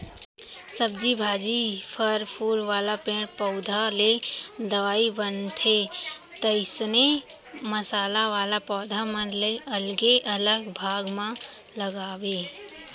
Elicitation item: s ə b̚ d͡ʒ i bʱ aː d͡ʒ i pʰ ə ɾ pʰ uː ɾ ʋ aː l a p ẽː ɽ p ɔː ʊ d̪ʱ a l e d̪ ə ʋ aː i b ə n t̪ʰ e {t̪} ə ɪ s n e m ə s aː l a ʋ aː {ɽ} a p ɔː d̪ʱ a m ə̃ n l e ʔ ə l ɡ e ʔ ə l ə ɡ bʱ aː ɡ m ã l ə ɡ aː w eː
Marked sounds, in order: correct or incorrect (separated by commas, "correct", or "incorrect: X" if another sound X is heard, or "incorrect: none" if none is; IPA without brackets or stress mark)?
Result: correct, incorrect: l